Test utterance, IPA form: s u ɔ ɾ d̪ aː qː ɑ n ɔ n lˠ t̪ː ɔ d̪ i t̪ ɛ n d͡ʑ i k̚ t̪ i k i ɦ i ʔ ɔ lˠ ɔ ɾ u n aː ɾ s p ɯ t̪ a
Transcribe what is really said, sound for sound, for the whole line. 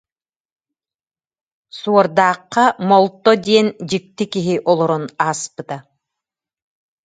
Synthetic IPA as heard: s u ɔ ɾ d̪ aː qː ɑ m ɔ lˠ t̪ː ɔ d̪ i ɛ n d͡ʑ i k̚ t̪ i k i ɦ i ʔ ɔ lˠ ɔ ɾ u n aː s p ɯ t̪ a